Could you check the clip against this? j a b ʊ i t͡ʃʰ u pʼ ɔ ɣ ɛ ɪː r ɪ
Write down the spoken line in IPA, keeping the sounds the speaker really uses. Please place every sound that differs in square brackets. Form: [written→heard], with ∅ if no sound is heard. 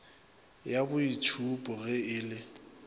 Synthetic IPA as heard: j a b ʊ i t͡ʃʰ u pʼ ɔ ɣ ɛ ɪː [r→l] ɪ